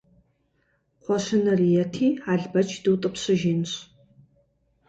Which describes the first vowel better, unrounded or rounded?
rounded